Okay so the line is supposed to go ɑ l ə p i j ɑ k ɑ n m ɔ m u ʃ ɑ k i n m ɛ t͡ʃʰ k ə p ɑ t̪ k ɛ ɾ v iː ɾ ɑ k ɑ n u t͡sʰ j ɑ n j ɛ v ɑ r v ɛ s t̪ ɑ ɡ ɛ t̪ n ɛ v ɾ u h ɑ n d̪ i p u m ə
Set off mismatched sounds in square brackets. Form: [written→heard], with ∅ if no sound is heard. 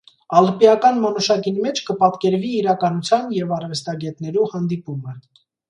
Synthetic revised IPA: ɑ l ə p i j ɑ k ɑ n m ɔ [m→n] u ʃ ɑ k i n m ɛ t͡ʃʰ k ə p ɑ t̪ k ɛ ɾ v iː ɾ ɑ k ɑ n u t͡sʰ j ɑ n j ɛ v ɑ r v ɛ s t̪ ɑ ɡ ɛ t̪ n ɛ [v→∅] ɾ u h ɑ n d̪ i p u m ə